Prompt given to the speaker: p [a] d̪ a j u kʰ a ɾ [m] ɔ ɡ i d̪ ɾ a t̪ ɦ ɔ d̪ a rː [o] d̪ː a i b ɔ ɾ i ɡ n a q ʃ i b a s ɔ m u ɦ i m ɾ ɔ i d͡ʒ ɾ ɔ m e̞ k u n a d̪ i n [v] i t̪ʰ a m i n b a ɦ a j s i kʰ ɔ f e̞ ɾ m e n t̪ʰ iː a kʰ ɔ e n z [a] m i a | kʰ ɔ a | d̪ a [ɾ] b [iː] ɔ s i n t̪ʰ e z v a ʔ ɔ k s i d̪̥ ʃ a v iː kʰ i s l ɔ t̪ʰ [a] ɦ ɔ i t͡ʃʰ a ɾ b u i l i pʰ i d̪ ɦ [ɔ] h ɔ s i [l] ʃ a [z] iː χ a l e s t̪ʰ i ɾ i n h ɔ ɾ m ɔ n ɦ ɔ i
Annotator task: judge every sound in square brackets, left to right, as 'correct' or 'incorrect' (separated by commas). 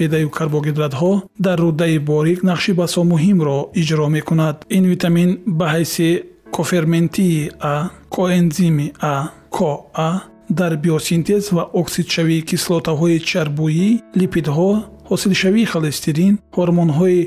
incorrect, incorrect, incorrect, correct, incorrect, correct, incorrect, correct, correct, correct, incorrect